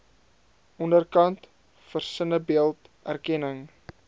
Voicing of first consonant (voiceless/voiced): voiced